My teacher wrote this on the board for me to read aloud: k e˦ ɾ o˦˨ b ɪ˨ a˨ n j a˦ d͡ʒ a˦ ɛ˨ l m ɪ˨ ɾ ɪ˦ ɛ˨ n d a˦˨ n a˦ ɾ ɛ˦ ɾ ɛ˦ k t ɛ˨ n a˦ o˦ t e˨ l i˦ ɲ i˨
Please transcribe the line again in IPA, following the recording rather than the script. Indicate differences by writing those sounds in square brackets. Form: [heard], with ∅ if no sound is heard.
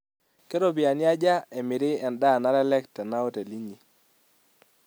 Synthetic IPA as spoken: k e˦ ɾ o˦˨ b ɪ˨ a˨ n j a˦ d͡ʒ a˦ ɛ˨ [∅] m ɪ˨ ɾ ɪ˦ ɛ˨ n d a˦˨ n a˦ ɾ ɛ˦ [l] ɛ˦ k t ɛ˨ n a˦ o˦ t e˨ l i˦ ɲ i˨